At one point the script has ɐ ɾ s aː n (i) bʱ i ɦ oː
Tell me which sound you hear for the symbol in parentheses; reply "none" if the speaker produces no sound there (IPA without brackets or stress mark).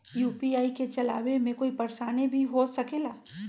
e